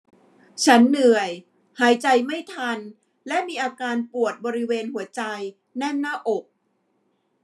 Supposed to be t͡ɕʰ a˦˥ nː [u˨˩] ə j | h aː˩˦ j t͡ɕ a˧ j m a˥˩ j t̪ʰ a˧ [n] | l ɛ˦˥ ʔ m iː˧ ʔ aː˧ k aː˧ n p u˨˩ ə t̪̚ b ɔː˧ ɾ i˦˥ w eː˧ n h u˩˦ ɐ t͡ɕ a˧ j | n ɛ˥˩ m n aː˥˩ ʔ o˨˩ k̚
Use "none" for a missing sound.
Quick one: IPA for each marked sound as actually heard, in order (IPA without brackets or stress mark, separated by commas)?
ɯ˨˩, n